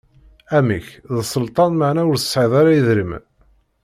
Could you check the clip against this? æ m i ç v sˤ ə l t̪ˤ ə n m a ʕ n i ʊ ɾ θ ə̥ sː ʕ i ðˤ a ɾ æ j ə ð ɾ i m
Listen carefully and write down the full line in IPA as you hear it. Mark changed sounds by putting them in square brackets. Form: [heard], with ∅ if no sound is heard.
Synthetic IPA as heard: æ m i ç [ð] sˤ ə l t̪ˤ [ɑ] n m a ʕ n [æ] ʊ ɾ θ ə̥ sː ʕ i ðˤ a ɾ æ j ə ð ɾ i m